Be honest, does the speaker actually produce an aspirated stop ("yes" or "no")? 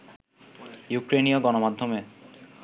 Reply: no